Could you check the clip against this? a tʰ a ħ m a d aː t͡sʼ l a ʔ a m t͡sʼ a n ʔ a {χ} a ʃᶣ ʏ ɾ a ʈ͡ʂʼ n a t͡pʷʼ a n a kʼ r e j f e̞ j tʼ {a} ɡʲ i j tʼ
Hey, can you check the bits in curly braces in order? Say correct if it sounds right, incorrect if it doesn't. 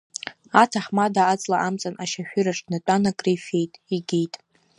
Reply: incorrect, incorrect

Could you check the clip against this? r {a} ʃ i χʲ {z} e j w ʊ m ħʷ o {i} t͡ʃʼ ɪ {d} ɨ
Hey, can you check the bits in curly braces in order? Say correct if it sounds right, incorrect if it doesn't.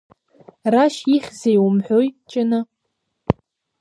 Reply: correct, correct, incorrect, incorrect

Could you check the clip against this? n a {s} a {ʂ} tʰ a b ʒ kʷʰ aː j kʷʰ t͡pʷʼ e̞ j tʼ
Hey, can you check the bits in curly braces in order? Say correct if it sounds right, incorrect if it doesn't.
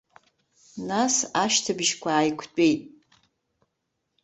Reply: correct, incorrect

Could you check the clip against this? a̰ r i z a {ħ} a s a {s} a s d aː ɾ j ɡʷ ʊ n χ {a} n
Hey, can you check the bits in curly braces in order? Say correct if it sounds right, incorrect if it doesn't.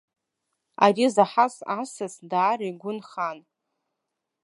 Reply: correct, correct, correct

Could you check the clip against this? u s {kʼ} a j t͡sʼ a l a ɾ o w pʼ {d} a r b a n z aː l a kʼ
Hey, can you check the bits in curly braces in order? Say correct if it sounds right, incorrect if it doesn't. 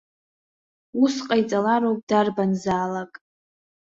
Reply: incorrect, correct

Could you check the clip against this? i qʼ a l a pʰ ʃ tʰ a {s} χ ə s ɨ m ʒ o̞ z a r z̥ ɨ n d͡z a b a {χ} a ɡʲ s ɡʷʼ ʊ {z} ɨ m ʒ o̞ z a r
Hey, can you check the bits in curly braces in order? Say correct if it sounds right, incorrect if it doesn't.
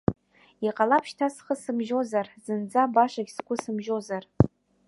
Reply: correct, incorrect, incorrect

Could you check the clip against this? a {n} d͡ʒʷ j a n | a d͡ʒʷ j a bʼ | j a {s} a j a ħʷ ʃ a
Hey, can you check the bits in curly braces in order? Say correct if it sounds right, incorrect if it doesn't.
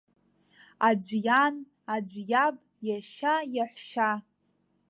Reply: incorrect, incorrect

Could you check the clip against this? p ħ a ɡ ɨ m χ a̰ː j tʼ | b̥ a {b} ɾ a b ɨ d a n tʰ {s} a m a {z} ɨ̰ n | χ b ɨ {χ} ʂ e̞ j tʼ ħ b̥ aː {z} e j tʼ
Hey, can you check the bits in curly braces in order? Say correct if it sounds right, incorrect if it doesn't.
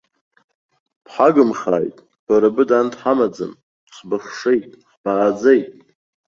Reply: incorrect, incorrect, incorrect, correct, incorrect

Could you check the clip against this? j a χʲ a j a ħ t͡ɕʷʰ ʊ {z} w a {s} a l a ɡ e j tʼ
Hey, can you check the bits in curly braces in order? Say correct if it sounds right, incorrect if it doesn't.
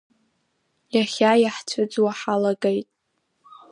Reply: incorrect, incorrect

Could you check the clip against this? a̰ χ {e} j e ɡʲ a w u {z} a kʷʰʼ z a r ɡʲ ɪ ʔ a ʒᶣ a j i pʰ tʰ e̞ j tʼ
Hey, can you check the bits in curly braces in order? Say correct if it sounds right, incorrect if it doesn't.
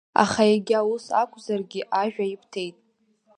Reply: incorrect, incorrect

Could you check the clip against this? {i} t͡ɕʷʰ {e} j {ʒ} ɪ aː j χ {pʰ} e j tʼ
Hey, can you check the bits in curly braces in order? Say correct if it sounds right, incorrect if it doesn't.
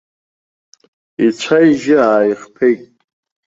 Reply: correct, incorrect, correct, correct

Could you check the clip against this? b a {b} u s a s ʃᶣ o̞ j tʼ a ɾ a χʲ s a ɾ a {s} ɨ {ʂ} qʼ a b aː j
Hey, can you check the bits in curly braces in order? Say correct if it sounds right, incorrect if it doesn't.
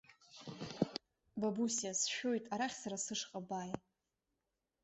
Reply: correct, correct, correct

